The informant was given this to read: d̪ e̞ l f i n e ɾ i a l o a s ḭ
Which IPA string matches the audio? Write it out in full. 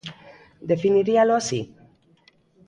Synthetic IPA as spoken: d̪ e̞ f i n i ɾ i a l o a s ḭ